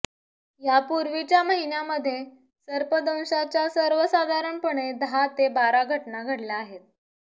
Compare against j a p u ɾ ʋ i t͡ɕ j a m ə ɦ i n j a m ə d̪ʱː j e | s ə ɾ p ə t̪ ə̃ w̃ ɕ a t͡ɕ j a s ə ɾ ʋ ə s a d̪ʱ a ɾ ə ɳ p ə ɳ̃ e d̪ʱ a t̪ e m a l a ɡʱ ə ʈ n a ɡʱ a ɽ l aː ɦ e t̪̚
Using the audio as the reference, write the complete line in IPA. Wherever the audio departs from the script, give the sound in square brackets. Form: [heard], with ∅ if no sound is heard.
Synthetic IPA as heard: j a p u ɾ ʋ i t͡ɕ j a m ə ɦ i n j a m ə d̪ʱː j e | s ə ɾ p ə [d̪] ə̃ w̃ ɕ a t͡ɕ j a s ə ɾ ʋ ə s a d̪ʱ a ɾ ə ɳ p ə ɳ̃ e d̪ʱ a t̪ e [b] a [ɾ] a ɡʱ ə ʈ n a ɡʱ [ə] ɽ l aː ɦ e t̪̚

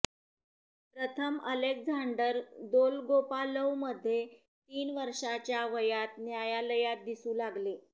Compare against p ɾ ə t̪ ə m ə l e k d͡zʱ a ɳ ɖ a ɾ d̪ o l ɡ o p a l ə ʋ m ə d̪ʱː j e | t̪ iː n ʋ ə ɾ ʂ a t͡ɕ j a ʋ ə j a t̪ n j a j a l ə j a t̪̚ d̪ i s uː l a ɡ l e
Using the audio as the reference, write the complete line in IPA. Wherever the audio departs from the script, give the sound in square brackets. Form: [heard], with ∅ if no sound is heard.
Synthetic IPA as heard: p ɾ ə [t̪ʰ] ə m ə l e k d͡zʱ a ɳ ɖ [ə] ɾ d̪ o l ɡ o p a l ə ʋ m ə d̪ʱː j e | t̪ iː n ʋ ə ɾ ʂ a t͡ɕ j a ʋ ə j a t̪ n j a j a l ə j a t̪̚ d̪ i s uː l a ɡ l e

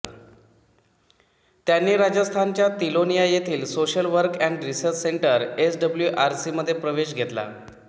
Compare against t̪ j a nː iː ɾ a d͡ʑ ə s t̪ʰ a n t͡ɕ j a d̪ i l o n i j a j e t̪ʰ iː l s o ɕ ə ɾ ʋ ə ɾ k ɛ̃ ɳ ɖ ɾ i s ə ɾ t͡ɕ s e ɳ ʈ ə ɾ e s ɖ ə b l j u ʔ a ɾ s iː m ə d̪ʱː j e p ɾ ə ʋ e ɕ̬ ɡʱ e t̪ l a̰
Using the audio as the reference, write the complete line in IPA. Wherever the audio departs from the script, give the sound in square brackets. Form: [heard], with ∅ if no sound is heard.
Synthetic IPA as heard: t̪ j a nː iː ɾ a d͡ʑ ə s t̪ʰ a n t͡ɕ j a [t̪] i l o n i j a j e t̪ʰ iː l s o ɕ ə [l] ʋ ə ɾ k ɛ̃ ɳ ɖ ɾ i s ə ɾ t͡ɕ s e ɳ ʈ ə ɾ e s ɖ ə b l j u ʔ a ɾ s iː m ə d̪ʱː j e p ɾ ə ʋ e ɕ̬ ɡʱ e t̪ l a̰

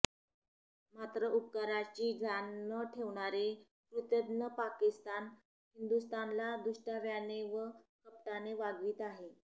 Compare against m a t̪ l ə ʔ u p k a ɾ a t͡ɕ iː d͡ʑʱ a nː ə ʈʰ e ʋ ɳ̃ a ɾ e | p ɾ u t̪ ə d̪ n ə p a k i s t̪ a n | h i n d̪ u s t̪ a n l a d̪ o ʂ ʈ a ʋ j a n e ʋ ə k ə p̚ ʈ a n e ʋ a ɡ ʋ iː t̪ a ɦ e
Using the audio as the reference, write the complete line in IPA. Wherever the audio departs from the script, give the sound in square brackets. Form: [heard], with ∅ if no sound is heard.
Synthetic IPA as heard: m a t̪ [ɾ] ə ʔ u p k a ɾ a t͡ɕ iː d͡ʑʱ a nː ə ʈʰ e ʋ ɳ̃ a ɾ e | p ɾ u t̪ ə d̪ n ə p a k i s t̪ a n | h i n d̪ u s t̪ a n l a d̪ [u] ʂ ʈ a ʋ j a n e ʋ ə k ə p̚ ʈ a n e ʋ a ɡ ʋ iː t̪ a ɦ e

